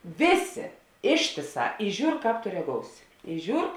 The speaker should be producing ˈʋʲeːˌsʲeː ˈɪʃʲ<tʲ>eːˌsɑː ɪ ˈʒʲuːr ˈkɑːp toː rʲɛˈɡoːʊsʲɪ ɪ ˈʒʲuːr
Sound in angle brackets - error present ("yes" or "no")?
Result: no